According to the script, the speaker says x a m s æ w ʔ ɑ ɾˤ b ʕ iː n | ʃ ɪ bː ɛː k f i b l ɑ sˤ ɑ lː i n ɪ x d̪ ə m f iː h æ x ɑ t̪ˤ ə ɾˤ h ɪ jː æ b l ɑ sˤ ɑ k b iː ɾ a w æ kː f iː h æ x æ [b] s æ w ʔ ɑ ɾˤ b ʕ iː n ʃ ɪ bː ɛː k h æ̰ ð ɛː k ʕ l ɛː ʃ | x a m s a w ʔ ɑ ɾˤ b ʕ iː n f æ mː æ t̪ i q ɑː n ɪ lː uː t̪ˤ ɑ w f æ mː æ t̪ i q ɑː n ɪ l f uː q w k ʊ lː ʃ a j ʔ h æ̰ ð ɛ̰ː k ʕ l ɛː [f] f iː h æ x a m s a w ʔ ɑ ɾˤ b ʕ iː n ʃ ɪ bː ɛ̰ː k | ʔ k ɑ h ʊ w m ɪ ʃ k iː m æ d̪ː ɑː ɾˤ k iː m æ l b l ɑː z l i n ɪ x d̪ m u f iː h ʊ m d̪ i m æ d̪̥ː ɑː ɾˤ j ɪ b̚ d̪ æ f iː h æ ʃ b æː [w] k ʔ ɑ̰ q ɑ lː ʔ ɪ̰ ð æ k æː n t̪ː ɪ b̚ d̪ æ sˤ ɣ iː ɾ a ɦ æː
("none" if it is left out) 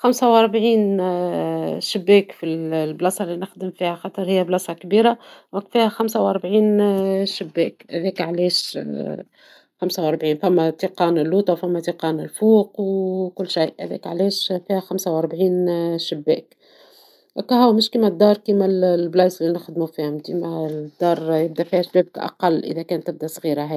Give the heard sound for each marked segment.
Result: m, ʃ, b

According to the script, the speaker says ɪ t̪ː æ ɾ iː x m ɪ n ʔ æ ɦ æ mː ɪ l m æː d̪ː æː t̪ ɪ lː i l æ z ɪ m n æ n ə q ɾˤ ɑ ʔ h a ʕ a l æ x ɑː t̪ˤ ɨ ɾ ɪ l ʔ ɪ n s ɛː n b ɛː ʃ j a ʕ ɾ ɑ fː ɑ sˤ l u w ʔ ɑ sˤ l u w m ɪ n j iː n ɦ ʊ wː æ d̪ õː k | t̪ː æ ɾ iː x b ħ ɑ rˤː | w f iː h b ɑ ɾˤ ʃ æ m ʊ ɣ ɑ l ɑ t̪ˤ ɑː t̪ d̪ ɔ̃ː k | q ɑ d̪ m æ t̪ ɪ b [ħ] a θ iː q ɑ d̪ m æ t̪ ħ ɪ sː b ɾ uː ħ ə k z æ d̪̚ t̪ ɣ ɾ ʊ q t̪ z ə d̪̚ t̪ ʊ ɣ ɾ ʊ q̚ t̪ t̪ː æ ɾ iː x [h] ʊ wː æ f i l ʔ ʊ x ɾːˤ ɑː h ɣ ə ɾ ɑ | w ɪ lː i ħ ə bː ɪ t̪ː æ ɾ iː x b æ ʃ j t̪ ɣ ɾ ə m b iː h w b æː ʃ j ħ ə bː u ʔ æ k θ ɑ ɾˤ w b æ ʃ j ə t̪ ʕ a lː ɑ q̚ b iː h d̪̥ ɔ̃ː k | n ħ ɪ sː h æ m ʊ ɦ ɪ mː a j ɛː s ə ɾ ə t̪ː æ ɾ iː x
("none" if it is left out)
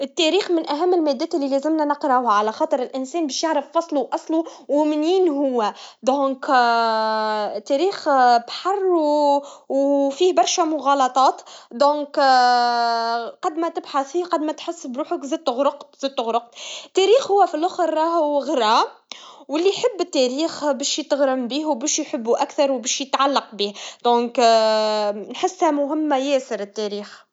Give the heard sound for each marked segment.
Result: ħ, h

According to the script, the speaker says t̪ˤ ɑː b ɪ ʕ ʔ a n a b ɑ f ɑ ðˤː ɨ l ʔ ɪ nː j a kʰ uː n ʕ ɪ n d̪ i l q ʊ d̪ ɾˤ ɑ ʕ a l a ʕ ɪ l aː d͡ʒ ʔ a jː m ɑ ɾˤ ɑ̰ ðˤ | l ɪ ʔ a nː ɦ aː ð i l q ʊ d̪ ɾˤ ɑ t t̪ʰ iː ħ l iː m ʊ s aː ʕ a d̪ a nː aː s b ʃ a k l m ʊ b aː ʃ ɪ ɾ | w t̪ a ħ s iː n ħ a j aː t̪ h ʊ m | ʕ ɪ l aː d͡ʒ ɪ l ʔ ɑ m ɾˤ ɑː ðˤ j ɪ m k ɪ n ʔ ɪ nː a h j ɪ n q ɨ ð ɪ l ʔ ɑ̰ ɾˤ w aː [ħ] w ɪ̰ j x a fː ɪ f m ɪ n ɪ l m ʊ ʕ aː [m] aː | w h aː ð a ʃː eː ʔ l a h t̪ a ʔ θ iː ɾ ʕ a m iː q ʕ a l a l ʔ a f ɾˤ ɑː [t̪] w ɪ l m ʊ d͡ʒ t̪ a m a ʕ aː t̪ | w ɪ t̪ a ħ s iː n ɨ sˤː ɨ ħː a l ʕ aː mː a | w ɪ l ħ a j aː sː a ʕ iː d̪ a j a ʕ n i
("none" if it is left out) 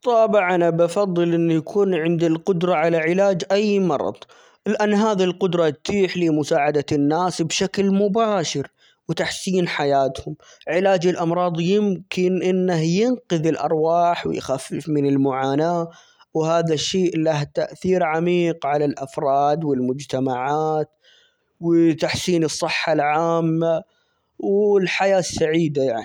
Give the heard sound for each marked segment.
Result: ħ, n, d̪

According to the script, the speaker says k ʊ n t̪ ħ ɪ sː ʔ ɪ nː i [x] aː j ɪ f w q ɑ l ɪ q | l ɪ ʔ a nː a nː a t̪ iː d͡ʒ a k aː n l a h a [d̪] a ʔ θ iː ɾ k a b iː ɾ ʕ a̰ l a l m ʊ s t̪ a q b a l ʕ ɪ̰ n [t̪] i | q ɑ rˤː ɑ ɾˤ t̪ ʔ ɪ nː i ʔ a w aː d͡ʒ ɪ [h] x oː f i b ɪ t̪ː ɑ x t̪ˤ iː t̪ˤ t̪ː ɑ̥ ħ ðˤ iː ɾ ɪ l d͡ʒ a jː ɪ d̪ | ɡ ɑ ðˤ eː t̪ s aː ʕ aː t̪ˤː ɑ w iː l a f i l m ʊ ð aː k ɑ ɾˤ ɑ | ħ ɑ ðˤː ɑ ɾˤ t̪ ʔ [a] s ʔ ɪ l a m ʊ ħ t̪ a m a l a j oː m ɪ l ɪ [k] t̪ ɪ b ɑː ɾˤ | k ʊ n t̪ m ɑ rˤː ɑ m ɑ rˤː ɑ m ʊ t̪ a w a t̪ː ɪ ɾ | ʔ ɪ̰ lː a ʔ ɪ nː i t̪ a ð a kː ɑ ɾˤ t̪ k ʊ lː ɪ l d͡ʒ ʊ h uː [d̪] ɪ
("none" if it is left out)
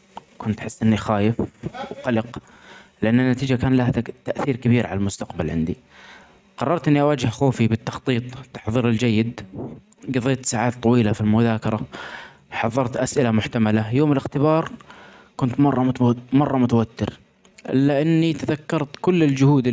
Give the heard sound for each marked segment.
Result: x, t̪, d̪, h, a, x, d̪

